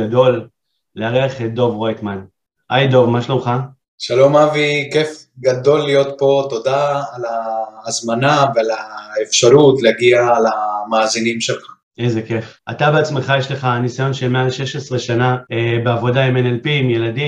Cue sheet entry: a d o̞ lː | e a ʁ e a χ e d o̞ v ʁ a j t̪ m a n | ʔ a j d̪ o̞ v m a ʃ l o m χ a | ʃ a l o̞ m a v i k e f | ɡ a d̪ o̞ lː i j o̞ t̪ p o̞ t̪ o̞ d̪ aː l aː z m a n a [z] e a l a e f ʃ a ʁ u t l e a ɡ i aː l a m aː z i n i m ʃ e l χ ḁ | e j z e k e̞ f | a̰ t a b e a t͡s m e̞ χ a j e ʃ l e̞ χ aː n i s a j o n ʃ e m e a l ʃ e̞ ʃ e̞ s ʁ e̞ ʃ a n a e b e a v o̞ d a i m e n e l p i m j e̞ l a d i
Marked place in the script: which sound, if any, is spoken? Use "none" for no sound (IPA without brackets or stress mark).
v